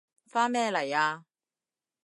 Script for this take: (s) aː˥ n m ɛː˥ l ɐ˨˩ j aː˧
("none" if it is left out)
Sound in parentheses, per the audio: f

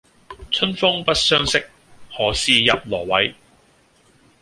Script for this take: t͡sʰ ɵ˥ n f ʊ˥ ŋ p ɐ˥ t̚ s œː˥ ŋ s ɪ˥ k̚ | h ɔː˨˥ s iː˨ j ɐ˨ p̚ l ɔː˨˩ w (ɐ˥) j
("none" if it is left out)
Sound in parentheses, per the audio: ɐ˨˥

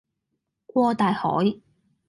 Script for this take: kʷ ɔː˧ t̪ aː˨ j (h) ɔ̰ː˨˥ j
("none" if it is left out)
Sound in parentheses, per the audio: h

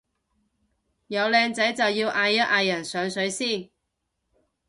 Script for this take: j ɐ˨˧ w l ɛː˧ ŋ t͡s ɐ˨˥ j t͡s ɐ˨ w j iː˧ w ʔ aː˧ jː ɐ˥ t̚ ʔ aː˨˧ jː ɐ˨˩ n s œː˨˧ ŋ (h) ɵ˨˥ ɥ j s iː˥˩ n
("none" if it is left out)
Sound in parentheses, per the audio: s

